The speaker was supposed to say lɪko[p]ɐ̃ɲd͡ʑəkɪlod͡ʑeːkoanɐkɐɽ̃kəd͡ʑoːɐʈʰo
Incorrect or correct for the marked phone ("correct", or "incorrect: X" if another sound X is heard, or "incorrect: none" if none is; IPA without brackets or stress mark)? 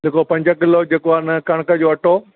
correct